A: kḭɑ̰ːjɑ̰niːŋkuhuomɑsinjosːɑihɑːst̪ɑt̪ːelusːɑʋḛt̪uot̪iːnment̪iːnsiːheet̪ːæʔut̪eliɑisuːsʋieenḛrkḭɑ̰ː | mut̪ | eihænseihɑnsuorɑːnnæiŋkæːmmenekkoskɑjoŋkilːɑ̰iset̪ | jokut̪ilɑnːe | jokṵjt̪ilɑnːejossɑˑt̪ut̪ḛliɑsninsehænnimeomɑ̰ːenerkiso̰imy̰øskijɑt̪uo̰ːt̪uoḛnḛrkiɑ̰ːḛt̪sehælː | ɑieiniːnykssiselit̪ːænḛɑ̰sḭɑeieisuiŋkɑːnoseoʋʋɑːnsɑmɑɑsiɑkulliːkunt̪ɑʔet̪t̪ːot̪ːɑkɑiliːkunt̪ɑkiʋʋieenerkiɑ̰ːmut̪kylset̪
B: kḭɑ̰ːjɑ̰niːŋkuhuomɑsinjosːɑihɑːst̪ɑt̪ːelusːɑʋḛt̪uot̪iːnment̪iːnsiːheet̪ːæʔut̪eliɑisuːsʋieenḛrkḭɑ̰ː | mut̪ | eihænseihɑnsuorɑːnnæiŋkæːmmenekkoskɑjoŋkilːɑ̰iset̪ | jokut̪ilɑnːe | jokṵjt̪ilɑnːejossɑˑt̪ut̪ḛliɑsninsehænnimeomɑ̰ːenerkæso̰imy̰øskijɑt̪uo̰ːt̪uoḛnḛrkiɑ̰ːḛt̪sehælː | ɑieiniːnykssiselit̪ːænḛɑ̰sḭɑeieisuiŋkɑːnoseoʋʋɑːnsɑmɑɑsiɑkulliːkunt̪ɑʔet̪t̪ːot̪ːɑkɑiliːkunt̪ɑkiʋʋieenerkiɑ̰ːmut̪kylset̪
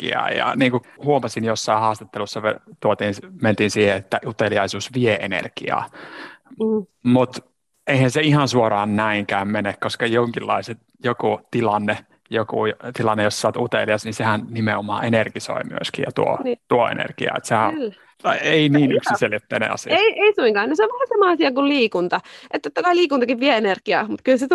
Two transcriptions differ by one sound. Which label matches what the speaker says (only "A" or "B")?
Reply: A